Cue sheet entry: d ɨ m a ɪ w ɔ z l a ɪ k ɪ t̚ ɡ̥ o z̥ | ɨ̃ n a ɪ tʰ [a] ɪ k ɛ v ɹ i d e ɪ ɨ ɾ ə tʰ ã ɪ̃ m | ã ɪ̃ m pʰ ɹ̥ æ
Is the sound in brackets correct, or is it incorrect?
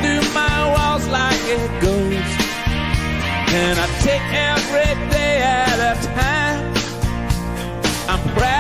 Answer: incorrect